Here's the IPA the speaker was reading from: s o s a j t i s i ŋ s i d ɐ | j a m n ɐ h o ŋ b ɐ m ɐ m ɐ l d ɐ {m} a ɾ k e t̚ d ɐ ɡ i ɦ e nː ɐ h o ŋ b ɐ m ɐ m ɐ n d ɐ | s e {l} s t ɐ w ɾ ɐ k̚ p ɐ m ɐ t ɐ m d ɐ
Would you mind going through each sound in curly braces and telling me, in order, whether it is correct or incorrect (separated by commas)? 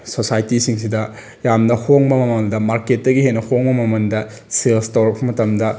correct, correct